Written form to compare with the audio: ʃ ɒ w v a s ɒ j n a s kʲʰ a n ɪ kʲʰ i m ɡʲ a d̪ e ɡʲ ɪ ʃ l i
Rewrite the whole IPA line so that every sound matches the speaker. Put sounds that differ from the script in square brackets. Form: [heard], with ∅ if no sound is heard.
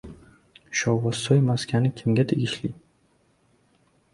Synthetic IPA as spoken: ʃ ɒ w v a s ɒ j [m] a s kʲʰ a n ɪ kʲʰ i m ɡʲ a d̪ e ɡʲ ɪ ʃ l i

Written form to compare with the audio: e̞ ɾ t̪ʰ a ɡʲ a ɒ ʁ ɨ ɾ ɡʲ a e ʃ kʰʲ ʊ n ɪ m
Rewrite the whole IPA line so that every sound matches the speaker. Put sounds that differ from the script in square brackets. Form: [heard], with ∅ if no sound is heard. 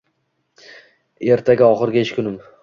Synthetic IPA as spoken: e̞ ɾ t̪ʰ a ɡʲ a ɒ [χ] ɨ ɾ ɡʲ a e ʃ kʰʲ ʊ n ɪ m

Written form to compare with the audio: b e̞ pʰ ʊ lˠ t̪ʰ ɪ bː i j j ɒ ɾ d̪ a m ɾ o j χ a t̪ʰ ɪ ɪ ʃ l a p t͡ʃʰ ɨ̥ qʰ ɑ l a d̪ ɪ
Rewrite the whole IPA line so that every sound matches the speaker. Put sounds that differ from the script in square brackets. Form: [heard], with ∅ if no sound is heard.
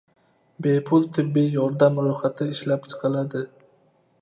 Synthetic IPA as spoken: b e̞ pʰ ʊ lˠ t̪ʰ ɪ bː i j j ɒ ɾ d̪ a m ɾ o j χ a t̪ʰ ɪ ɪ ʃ l a p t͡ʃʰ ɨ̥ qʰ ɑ l a d̪ ɪ

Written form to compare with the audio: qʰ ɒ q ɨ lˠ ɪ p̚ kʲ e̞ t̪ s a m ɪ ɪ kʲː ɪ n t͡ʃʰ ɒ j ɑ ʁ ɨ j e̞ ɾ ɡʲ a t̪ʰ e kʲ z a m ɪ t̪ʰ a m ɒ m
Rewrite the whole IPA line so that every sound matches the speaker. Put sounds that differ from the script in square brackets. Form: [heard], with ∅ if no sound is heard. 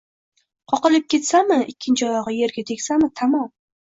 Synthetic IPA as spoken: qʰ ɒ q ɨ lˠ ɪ p̚ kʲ e̞ t̪ s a m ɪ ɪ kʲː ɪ n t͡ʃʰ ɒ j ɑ ʁ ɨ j e̞ ɾ ɡʲ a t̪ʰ e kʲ [s] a m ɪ t̪ʰ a m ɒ m

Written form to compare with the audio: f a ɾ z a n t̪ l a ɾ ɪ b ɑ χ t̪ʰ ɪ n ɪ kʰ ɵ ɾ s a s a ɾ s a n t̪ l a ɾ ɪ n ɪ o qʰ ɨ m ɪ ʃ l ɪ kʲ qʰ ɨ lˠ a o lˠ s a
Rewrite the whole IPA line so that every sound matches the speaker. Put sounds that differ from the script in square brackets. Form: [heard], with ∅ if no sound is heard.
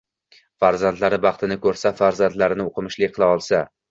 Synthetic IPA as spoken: f a ɾ z a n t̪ l a ɾ ɪ b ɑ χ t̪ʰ ɪ n ɪ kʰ ɵ ɾ s a [f] a ɾ [z] a n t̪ l a ɾ ɪ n ɪ o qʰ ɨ m ɪ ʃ l ɪ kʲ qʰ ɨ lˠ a [ɒ] lˠ s a

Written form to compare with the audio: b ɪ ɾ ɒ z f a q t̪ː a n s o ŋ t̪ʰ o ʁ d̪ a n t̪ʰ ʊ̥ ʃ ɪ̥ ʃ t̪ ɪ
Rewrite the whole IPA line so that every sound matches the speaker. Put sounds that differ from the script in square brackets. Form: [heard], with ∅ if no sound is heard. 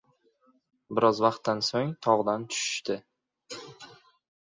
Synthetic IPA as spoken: b ɪ ɾ ɒ z [v] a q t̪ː a n s o ŋ t̪ʰ [ɒ] ʁ d̪ a n t̪ʰ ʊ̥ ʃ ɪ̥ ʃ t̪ ɪ

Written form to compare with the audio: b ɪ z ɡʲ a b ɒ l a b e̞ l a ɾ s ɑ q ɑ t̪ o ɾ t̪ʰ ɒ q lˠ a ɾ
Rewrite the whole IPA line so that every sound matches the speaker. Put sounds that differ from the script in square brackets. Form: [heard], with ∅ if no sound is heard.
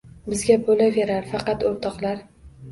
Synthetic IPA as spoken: b ɪ z ɡʲ a b [o] l a [v] e̞ [ɾ] a ɾ [f] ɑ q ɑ t̪ o ɾ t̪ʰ ɒ q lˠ a ɾ

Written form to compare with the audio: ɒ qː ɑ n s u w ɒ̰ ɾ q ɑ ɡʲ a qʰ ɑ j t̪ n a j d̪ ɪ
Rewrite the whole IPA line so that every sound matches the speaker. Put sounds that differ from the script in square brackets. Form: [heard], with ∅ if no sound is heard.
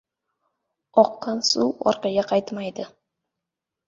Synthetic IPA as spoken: ɒ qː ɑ n s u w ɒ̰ ɾ q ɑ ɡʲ a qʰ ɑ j t̪ [m] a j d̪ ɪ

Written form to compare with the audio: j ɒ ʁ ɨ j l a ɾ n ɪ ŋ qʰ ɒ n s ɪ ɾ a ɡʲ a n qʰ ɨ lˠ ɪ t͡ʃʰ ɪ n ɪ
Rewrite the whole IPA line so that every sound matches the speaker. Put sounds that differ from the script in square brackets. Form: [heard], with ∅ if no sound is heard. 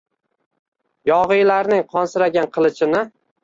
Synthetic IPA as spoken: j ɒ ʁ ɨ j l a ɾ n ɪ ŋ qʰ ɒ n s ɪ ɾ a ɡʲ a n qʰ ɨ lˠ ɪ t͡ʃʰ ɪ n ɪ

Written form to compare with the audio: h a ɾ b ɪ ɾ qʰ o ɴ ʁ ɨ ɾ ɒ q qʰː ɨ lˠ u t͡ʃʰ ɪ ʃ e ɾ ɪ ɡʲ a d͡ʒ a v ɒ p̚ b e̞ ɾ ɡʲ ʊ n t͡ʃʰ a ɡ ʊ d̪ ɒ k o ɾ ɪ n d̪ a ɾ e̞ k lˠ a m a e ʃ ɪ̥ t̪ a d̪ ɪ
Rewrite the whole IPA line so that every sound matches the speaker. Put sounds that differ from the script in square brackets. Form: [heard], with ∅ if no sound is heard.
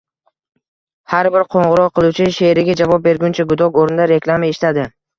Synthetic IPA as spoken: h a ɾ b ɪ ɾ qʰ o ɴ ʁ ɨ ɾ ɒ q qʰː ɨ lˠ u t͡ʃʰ ɪ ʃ e ɾ ɪ ɡʲ a d͡ʒ a v ɒ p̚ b e̞ ɾ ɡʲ ʊ n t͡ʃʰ a ɡ ʊ d̪ ɒ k o ɾ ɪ n d̪ a ɾ e̞ k lˠ a m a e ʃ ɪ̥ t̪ a d̪ ɪ

